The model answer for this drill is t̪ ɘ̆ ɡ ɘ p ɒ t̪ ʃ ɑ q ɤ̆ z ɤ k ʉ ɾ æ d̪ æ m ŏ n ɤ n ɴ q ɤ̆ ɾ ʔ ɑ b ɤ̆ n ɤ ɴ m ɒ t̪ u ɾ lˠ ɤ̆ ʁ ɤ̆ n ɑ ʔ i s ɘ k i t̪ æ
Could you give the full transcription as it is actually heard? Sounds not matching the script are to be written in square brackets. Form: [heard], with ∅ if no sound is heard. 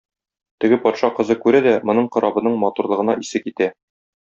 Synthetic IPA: t̪ ɘ̆ ɡ ɘ p ɒ t̪ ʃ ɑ q ɤ̆ z ɤ k ʉ ɾ æ d̪ æ m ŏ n ɤ [∅] ɴ q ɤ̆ ɾ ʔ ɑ b ɤ̆ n ɤ ɴ m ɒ t̪ u ɾ lˠ ɤ̆ ʁ ɤ̆ n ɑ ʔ i s ɘ k i t̪ æ